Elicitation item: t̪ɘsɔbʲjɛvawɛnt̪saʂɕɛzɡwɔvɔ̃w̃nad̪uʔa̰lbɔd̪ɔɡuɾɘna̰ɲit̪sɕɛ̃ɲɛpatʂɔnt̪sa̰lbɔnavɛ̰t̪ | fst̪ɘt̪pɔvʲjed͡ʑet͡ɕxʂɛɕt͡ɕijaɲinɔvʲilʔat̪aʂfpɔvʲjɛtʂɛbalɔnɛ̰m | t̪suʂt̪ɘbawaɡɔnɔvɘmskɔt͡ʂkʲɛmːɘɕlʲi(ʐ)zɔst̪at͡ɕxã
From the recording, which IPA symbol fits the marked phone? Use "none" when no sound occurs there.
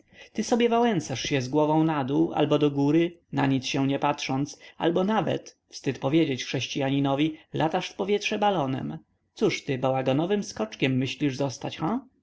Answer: ʐ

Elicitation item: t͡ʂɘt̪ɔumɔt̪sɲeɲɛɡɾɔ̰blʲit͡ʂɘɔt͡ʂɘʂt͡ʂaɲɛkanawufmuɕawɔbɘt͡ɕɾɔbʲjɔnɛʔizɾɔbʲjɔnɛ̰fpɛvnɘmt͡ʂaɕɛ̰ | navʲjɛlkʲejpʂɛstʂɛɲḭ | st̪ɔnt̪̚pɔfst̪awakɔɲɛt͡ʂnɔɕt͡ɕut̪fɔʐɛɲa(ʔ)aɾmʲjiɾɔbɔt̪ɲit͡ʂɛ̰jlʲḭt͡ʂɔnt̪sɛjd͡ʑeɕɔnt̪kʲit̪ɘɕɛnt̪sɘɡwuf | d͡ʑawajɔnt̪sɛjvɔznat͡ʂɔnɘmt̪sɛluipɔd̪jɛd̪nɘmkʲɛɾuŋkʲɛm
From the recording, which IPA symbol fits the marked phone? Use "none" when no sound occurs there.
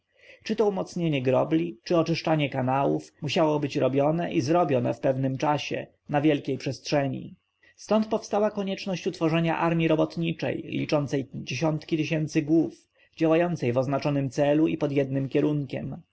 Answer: ʔ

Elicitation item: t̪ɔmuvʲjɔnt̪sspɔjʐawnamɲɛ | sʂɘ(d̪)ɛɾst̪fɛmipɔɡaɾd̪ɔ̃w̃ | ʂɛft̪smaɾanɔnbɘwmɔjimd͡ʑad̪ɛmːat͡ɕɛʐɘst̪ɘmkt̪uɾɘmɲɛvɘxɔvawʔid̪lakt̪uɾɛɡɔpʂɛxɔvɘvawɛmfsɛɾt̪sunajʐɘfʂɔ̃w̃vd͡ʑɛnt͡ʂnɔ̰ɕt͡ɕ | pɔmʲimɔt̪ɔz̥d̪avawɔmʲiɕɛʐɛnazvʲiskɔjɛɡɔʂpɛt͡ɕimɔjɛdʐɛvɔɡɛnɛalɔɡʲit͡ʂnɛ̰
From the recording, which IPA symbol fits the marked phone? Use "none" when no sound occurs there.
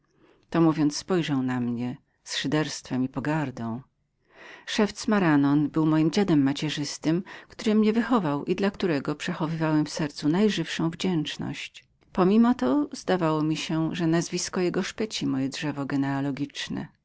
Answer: d̪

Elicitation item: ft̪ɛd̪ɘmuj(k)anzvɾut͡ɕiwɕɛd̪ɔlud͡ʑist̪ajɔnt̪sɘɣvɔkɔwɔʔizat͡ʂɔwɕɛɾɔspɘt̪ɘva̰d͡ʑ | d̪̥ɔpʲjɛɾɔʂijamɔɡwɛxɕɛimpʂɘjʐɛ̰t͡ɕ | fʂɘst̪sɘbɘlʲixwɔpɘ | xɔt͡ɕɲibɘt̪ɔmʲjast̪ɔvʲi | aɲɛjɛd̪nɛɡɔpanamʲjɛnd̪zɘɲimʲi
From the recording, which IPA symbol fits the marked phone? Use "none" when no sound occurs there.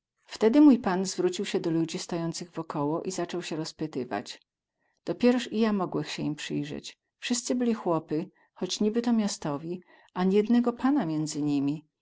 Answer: p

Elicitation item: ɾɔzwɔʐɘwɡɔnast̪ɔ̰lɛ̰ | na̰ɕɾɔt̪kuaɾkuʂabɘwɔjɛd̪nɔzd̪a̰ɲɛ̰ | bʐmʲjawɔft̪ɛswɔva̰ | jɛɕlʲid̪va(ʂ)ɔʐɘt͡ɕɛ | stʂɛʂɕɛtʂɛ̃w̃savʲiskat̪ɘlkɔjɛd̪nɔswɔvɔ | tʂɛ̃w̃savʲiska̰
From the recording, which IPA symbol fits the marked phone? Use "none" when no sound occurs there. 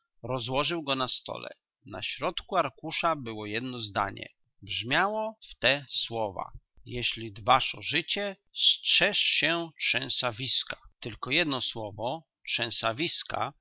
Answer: ʂ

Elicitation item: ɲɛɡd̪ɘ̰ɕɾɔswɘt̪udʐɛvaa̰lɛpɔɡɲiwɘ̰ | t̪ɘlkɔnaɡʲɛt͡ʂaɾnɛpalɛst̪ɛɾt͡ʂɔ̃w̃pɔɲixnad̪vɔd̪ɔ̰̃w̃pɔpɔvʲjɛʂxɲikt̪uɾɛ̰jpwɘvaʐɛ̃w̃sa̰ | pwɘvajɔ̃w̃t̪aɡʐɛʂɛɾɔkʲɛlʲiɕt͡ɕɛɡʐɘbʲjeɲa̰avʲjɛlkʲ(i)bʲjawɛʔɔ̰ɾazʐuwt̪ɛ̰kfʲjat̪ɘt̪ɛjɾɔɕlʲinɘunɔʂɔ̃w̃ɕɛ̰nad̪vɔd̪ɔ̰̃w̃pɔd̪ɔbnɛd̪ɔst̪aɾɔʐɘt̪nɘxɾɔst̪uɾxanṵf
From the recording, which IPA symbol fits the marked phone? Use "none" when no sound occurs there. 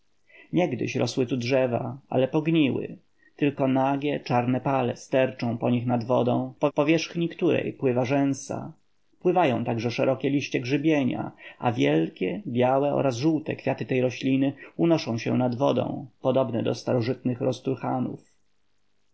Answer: ɛ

